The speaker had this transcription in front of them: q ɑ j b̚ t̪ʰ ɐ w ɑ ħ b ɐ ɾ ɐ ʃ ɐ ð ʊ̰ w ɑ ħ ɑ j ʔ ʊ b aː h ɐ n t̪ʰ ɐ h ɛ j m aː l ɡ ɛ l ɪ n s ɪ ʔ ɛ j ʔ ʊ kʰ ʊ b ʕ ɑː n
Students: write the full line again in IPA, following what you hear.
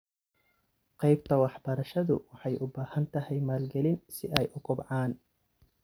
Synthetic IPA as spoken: q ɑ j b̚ t̪ʰ ɐ w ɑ ħ b ɐ ɾ ɐ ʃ ɐ ð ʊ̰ w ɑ ħ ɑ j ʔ ʊ b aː h ɐ n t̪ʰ ɐ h ɛ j m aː l ɡ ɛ l ɪ n s ɪ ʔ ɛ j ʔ ʊ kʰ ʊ b ʕ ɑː n